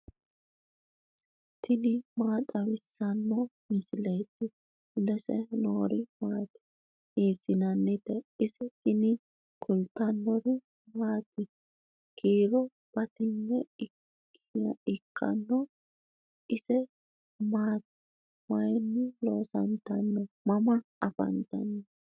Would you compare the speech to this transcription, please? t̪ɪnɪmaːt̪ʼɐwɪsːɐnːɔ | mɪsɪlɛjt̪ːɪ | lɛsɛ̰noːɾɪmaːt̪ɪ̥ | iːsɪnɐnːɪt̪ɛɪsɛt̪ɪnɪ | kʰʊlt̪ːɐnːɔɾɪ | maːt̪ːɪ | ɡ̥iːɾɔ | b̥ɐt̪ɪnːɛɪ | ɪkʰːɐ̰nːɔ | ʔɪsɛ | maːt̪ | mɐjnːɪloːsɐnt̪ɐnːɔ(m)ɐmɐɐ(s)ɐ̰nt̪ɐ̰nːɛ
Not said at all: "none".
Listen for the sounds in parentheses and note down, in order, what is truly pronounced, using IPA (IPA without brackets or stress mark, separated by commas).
m, f